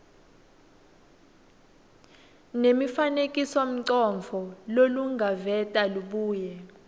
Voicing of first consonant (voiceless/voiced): voiced